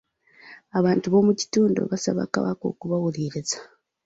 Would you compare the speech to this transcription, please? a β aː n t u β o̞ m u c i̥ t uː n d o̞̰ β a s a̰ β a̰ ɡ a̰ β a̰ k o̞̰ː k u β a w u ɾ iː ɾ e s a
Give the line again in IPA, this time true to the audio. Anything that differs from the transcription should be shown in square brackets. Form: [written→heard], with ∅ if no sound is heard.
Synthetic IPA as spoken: a β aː n t u β o̞ m u c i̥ t uː n d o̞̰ β a s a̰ β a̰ [ɡ→k] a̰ β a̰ k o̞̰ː k u β a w u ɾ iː ɾ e [s→z] a